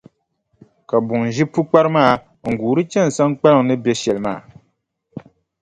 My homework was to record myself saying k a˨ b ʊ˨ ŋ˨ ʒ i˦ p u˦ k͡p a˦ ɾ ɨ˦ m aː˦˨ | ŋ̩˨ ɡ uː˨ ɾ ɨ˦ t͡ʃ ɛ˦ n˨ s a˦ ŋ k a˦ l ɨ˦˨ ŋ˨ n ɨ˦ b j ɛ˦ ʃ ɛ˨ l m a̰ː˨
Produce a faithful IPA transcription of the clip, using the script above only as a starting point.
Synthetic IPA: k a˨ b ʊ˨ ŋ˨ ʒ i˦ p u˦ k͡p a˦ ɾ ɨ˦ m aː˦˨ | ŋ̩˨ ɡ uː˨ ɾ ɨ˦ t͡ʃ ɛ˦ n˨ s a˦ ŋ k͡p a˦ l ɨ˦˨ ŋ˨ n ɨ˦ b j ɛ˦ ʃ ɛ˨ l m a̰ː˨